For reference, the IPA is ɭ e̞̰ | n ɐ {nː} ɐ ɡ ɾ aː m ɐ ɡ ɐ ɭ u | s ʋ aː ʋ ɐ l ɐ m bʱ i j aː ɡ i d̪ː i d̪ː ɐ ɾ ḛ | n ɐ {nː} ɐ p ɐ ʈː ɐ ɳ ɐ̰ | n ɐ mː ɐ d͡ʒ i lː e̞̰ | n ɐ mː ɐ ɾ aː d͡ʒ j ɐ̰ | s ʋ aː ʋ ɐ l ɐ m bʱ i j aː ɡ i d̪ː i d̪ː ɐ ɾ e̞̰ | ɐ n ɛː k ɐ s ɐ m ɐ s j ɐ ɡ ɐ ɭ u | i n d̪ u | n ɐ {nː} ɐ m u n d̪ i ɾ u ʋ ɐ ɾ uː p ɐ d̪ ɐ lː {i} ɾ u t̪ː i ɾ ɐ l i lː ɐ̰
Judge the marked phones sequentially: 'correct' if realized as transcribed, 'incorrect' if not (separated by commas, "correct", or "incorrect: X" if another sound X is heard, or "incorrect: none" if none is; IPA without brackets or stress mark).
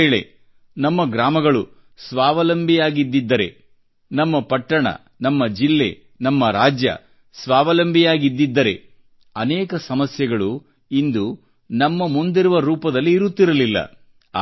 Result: incorrect: mː, incorrect: mː, incorrect: mː, incorrect: iː